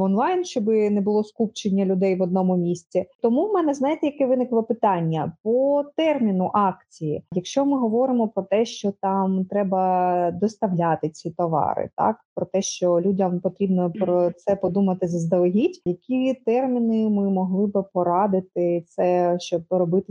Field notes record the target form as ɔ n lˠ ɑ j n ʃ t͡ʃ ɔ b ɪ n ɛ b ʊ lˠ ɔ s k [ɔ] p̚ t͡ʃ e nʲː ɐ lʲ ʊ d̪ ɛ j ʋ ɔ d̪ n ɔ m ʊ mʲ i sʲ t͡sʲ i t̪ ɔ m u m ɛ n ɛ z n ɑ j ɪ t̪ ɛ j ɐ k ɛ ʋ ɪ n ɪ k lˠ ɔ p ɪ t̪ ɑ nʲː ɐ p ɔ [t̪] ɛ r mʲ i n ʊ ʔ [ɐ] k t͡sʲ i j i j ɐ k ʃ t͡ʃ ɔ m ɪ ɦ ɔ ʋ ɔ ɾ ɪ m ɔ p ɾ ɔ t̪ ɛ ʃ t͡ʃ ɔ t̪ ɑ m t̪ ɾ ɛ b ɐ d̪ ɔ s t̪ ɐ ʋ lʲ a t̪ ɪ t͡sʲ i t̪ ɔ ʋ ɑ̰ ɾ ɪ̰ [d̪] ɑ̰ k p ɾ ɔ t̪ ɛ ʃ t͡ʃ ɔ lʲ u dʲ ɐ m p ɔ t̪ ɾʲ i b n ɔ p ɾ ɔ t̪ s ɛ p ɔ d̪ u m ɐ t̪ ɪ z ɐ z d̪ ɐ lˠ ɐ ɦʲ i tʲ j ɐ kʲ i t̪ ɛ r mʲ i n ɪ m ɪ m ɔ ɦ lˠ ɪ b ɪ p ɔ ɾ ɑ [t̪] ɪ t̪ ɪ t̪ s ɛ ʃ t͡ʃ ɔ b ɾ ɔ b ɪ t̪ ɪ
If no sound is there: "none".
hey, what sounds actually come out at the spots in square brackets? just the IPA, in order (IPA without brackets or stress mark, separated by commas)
u, t̪, ɑ, t̪, d̪